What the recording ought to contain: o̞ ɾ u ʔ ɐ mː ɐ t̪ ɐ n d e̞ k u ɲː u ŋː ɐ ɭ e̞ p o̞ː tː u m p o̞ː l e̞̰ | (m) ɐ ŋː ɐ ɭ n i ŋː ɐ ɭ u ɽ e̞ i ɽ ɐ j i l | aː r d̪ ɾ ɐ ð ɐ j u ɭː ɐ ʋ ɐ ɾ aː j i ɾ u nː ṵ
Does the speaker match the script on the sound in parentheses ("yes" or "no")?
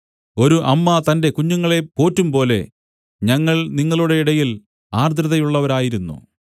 no